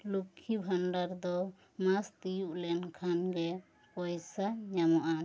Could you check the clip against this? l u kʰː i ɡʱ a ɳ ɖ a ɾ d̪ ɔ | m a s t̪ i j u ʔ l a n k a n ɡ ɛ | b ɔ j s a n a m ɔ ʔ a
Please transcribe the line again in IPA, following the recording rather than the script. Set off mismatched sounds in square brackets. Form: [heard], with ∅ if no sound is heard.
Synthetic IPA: l u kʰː i [bʱ] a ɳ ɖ a ɾ d̪ ɔ | m a s t̪ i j u ʔ l [ɛ] n [kʰ] a n ɡ ɛ | [p] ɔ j s a [ɲ] a m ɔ ʔ a